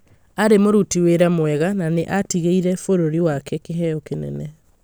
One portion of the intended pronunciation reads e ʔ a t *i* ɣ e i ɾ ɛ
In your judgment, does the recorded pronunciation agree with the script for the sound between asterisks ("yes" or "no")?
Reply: yes